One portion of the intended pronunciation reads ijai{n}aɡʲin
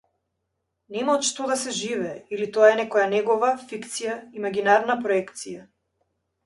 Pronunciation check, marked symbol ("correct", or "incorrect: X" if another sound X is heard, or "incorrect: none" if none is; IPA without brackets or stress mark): incorrect: m